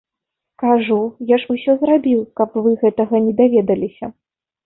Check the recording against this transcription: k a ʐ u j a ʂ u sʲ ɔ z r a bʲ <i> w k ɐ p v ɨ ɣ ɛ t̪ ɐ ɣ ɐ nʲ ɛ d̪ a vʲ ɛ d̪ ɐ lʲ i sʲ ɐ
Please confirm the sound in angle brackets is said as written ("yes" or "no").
yes